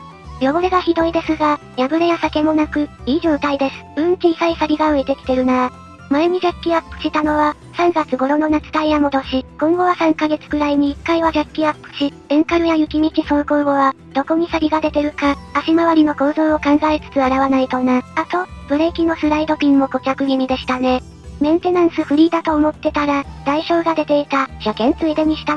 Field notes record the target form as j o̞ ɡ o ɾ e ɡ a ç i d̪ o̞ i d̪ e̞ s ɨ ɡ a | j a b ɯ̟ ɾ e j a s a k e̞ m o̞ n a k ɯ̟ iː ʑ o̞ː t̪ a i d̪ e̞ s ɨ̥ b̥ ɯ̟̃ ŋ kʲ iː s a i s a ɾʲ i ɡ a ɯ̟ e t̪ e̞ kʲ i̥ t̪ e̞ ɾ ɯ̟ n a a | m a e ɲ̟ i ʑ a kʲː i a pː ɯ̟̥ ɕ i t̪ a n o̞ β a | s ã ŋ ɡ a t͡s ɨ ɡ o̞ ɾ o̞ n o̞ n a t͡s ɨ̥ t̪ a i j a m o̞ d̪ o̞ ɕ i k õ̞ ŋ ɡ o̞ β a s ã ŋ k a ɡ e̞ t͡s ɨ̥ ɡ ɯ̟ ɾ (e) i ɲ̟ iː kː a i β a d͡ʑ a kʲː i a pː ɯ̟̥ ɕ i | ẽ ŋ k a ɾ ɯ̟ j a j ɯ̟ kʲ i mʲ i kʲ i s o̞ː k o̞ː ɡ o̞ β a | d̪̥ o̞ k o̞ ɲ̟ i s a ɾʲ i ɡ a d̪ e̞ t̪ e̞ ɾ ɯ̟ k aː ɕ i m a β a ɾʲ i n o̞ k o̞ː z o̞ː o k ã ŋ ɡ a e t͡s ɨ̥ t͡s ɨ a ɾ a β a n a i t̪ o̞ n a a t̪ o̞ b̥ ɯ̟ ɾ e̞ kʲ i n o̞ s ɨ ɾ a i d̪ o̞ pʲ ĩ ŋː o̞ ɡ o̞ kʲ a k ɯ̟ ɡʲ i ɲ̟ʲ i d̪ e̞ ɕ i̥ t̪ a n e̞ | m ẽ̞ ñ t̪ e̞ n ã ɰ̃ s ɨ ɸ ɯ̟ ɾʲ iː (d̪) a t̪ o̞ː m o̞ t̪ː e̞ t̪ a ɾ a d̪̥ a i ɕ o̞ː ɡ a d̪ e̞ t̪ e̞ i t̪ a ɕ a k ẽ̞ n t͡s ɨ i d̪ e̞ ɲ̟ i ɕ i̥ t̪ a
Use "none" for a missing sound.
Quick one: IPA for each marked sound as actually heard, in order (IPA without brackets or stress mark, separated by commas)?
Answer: a, d̪